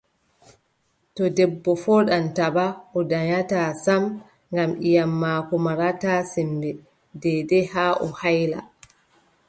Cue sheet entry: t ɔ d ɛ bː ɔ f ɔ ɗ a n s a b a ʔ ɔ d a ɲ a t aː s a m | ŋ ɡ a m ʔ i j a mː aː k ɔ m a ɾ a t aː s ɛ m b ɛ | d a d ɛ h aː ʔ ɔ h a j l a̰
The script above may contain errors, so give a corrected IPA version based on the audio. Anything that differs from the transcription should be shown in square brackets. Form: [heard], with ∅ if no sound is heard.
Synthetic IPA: t ɔ d ɛ bː ɔ f ɔ ɗ a n [t] a b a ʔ ɔ d a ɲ a t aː s a m | ŋ ɡ a m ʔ i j a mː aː k ɔ m a ɾ a t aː s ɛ m b ɛ | d [ɛ] d ɛ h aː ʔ ɔ h a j l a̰